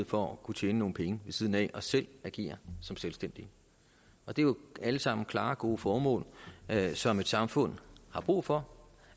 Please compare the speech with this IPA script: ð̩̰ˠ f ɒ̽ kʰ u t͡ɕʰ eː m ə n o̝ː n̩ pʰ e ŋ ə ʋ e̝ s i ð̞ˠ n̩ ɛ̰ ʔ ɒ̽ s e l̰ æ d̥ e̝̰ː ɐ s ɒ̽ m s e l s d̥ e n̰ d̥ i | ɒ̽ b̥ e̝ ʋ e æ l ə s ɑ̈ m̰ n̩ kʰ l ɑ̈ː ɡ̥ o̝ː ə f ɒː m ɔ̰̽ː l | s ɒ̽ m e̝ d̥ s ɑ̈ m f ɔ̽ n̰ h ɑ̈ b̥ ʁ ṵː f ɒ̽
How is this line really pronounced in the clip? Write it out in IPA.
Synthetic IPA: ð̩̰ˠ f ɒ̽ kʰ u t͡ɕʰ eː n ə n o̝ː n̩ pʰ e ŋ ə ʋ e̝ s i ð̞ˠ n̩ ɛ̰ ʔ ɒ̽ s e l̰ æ ɡ̥ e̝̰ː ɐ s ɒ̽ m s e l s d̥ e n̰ d̥ i | ɒ̽ d̥ e̝ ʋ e æ l ə s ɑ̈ m̰ n̩ kʰ l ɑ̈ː ɡ̥ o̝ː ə f ɒː m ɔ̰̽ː l | s ɒ̽ m e̝ d̥ s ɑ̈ m f ɔ̽ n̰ h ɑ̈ b̥ ʁ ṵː f ɒ̽